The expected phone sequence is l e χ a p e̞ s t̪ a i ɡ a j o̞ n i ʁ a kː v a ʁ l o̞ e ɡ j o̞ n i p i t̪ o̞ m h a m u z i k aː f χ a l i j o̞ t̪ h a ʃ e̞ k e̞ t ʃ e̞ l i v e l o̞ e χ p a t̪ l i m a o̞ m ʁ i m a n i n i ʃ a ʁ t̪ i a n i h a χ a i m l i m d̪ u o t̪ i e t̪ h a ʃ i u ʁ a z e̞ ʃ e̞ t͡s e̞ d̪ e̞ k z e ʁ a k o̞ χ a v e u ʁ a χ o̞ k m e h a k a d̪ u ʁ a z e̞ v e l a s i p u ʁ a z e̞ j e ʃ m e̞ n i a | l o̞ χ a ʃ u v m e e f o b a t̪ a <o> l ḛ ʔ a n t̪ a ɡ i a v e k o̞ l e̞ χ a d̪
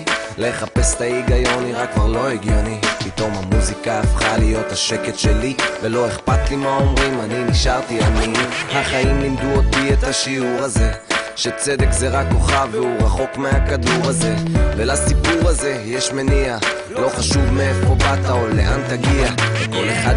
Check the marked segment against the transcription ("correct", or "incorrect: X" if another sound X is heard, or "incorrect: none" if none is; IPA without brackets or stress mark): correct